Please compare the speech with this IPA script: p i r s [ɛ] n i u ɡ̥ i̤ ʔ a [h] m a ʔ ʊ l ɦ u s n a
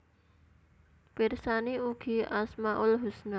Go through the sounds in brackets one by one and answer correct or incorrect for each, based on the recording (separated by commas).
incorrect, incorrect